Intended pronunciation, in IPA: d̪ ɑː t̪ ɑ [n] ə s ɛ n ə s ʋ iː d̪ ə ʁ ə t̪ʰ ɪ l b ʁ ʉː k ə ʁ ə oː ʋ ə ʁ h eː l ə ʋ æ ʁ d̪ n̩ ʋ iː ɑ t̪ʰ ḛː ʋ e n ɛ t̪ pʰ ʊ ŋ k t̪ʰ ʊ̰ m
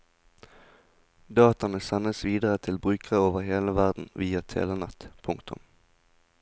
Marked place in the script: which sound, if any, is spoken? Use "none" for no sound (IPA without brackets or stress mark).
n